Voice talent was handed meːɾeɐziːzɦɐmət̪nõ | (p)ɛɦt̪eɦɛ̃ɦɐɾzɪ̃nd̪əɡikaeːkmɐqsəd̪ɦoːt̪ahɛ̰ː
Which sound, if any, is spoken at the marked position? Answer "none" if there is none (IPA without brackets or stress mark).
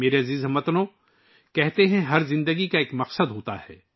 k